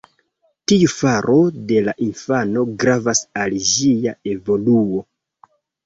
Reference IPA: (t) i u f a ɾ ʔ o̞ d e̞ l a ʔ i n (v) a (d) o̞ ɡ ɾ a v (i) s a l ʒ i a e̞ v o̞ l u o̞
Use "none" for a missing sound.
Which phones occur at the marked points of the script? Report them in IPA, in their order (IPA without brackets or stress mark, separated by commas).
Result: t, f, n, a